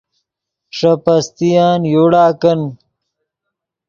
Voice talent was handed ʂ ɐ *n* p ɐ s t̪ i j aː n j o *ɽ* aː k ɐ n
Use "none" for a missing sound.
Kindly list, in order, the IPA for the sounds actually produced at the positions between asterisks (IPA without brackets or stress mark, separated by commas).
none, ɽ